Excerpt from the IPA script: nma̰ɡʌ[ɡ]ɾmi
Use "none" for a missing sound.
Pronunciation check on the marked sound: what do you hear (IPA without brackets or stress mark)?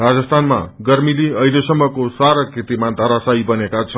none